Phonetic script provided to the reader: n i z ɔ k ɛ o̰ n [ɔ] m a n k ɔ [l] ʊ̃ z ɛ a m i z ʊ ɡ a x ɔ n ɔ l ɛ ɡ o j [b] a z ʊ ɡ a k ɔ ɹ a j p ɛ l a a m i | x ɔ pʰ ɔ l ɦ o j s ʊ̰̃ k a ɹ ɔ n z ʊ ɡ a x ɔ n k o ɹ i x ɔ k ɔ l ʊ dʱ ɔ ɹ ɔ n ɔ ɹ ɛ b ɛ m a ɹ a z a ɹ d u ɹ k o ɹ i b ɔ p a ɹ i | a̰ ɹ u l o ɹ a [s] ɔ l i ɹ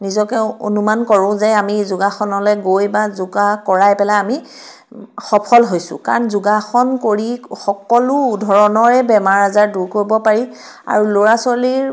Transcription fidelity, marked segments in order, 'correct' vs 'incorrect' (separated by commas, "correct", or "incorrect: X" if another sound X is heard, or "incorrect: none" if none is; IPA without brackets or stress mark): incorrect: u, incorrect: ɹ, correct, correct